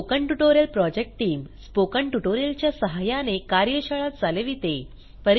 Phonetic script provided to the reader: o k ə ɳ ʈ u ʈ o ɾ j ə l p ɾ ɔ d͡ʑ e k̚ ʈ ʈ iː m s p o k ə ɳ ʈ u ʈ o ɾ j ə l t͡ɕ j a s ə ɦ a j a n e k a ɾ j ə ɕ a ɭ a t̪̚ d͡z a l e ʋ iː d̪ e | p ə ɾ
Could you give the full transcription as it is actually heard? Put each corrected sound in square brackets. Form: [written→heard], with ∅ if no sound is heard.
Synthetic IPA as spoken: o k ə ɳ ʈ u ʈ o ɾ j ə l p ɾ ɔ d͡ʑ e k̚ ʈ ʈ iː m s p o k ə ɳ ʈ u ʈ o ɾ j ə l t͡ɕ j a s ə ɦ a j a n e k a ɾ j ə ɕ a ɭ a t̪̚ d͡z a l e ʋ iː [d̪→t̪] e | p ə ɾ